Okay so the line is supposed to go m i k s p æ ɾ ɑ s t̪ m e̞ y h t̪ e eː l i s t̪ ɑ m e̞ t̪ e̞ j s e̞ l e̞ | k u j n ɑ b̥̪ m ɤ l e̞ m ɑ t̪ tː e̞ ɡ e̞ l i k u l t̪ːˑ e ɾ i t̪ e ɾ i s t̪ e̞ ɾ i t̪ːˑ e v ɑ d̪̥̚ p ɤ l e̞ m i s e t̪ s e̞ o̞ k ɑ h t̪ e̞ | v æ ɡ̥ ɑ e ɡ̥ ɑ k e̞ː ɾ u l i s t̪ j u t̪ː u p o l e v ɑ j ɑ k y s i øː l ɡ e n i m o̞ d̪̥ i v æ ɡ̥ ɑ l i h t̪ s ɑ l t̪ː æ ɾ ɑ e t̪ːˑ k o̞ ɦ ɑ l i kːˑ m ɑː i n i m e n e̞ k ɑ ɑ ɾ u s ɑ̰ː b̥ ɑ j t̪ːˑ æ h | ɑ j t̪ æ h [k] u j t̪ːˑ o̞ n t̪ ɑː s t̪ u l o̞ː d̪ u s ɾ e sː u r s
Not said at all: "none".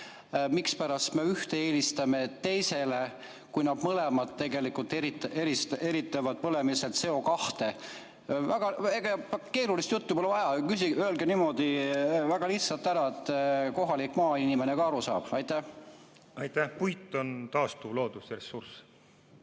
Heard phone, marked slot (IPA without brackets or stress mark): p